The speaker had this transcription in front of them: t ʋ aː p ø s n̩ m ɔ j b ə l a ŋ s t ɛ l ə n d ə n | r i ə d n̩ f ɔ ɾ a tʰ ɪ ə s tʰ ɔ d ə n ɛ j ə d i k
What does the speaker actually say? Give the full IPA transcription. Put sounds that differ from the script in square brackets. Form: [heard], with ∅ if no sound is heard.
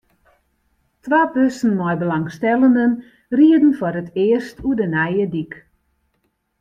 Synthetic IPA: t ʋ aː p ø s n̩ m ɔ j b ə l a ŋ s t ɛ l ə n d ə n | r i ə d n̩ f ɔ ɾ [ə] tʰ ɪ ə s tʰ [u] d ə n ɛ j ə d i k